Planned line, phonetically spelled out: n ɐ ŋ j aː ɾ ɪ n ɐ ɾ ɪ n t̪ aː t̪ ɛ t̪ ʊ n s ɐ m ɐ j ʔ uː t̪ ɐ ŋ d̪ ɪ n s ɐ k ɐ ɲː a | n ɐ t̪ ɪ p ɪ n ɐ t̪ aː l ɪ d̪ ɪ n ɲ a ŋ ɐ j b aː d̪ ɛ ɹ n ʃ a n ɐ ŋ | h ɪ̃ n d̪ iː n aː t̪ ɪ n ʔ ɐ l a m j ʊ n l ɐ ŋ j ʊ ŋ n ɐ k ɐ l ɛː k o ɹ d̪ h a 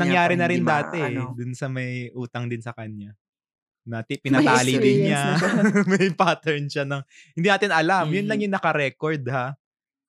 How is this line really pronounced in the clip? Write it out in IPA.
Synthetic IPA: n ɐ ŋ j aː ɾ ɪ n ɐ ɾ ɪ n d̪ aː t̪ ɛ d̪ ʊ n s ɐ m ɐ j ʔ uː t̪ ɐ ŋ d̪ ɪ n s ɐ k ɐ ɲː a | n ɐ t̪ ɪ p ɪ n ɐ t̪ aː l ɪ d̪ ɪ n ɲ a m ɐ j p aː t̪ ɛ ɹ n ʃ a n ɐ ŋ | h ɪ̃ n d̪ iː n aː t̪ ɪ n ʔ ɐ l a m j ʊ n l ɐ ŋ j ʊ ŋ n ɐ k ɐ ɾ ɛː k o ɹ d̪ h a